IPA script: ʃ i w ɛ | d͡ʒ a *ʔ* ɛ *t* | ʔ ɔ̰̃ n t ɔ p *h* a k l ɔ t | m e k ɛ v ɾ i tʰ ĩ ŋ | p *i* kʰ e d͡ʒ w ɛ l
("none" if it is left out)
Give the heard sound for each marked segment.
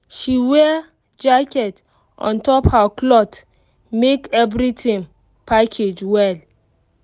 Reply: k, t, h, a

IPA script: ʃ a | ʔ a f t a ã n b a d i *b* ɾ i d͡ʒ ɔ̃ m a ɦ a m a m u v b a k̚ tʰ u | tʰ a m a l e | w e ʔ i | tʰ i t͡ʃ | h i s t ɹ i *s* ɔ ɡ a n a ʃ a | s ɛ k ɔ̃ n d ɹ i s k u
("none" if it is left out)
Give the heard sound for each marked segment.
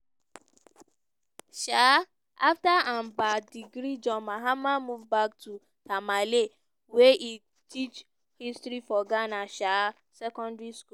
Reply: ɡ, f

